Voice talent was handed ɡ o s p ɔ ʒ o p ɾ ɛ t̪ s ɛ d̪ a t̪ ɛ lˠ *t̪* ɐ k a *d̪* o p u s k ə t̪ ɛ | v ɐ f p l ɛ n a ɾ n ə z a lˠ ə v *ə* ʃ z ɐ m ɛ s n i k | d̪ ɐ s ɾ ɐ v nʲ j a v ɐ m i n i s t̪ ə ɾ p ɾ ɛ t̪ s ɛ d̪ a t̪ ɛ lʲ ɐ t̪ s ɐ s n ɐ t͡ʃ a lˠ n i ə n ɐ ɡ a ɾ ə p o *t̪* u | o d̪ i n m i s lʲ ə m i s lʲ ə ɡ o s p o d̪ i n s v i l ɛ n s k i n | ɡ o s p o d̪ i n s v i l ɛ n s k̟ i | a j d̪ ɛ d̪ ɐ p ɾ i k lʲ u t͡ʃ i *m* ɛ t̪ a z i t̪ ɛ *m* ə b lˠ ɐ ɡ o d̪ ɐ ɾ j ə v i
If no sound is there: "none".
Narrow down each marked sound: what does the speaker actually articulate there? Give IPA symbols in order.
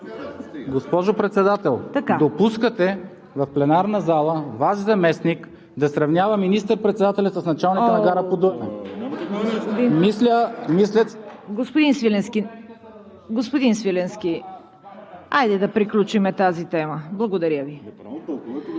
t̪, d̪, a, d̪, m, m

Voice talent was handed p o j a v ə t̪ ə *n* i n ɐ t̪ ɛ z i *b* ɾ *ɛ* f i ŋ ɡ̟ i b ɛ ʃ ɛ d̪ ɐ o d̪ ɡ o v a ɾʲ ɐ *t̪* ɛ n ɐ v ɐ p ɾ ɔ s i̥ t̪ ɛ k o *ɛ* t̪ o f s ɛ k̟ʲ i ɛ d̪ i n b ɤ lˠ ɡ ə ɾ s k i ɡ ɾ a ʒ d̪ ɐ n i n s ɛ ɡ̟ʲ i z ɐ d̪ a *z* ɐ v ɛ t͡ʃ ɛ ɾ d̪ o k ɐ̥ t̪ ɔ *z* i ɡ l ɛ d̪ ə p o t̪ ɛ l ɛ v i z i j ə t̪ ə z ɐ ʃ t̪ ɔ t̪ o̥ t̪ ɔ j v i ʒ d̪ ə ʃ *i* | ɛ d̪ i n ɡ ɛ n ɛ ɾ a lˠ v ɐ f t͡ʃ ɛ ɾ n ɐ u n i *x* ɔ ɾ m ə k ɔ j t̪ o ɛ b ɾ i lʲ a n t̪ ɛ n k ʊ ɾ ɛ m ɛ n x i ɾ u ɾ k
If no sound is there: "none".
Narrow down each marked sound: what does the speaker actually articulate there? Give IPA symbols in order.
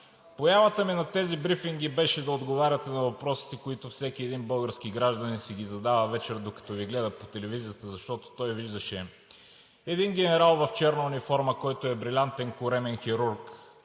m, b, i, t̪, i, v, v, ɛ, f

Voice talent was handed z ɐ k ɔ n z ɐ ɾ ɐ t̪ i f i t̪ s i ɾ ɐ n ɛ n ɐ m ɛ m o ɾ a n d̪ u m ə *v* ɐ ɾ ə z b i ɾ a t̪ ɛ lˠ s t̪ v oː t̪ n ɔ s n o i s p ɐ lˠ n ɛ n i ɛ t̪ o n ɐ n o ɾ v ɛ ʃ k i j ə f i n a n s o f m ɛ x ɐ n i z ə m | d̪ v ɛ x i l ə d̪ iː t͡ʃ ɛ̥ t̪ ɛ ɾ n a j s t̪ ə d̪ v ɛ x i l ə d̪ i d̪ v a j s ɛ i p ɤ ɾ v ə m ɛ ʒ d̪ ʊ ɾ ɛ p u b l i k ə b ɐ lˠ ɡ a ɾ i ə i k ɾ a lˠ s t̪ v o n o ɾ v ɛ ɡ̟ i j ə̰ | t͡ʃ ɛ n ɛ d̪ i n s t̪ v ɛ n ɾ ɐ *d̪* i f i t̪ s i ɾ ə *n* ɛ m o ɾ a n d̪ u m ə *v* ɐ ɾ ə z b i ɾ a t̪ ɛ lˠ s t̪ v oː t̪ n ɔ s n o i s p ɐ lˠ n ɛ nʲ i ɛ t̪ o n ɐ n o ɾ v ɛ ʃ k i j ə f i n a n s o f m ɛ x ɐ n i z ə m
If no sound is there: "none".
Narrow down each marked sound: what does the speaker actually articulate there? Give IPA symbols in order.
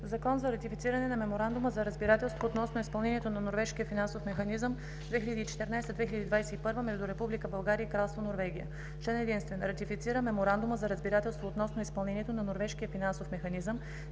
z, t̪, m, z

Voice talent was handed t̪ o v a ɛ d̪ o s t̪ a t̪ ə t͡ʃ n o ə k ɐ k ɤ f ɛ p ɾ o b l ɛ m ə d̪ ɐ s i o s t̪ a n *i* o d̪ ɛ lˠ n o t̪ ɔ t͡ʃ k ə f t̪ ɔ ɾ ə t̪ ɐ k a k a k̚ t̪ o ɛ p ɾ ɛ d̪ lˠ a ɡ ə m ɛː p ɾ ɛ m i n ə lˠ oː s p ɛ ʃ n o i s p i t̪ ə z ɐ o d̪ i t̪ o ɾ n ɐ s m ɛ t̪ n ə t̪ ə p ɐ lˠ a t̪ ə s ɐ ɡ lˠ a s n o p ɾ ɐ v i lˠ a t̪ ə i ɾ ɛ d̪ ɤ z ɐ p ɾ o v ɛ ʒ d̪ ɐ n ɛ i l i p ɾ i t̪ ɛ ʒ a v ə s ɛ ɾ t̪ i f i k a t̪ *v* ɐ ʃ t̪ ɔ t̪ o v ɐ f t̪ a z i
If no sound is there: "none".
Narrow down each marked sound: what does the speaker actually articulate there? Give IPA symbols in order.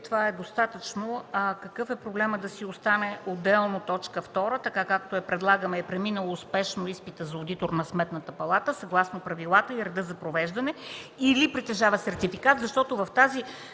ɛ, z

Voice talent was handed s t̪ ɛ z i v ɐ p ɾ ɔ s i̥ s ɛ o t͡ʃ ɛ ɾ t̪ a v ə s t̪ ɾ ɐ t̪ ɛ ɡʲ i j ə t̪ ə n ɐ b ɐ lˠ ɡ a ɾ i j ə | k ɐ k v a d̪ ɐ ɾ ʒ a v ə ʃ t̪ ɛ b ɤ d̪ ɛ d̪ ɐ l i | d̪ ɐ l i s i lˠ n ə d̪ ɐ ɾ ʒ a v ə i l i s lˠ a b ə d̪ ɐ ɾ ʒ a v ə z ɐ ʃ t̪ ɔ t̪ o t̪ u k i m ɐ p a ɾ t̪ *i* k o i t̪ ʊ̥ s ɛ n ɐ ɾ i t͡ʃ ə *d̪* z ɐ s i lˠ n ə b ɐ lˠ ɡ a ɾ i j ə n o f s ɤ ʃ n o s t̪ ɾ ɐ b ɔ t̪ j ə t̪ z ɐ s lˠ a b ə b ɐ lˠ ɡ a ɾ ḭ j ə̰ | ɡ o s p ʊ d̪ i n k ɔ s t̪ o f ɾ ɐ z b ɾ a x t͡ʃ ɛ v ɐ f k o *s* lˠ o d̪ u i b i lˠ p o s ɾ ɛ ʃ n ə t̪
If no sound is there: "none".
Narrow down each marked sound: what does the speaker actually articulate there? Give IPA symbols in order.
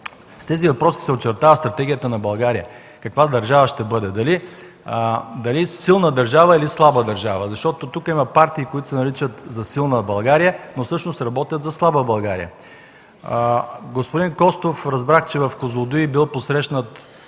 iː, t̪, z

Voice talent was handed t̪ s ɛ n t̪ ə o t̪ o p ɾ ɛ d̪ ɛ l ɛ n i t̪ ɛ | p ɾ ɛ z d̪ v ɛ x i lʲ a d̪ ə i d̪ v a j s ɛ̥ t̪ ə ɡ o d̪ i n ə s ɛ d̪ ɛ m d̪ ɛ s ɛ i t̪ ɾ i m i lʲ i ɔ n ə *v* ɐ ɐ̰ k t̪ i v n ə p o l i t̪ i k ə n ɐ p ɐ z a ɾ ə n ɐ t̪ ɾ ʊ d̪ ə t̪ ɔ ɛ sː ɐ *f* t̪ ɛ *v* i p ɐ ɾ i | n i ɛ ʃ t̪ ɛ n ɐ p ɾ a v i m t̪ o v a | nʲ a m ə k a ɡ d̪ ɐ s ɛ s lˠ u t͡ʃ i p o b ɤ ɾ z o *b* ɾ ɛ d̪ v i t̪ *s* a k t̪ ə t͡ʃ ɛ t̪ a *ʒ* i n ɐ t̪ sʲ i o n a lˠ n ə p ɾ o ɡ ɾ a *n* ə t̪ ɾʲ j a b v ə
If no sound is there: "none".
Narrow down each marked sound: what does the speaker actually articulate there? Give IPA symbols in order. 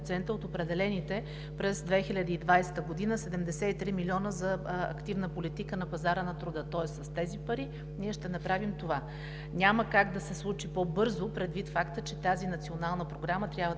z, s, z, p, f, z, m

